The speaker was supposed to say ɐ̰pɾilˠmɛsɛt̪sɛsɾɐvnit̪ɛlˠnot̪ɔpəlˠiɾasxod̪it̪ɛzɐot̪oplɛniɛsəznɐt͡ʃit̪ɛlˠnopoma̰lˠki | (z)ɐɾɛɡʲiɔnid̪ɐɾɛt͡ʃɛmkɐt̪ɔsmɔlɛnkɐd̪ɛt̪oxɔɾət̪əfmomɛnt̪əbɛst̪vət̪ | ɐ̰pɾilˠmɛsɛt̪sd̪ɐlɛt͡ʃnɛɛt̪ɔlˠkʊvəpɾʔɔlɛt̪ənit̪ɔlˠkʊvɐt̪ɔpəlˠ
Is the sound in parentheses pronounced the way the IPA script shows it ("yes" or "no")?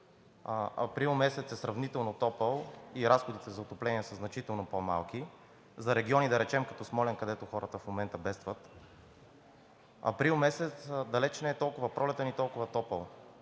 yes